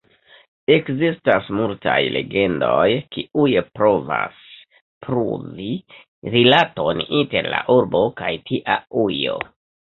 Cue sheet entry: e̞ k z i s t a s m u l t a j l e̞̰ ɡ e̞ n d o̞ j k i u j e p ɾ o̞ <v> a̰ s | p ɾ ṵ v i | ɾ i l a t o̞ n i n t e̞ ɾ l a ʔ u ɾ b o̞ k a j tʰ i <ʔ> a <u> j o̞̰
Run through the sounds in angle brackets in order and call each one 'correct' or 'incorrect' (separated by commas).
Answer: correct, correct, correct